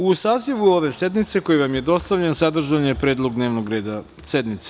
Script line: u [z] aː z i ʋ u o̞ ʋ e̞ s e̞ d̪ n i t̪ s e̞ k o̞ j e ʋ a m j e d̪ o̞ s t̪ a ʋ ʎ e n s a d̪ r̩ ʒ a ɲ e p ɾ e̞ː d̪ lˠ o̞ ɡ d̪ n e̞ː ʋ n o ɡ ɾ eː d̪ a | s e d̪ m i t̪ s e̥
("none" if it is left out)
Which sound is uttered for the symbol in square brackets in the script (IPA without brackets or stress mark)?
s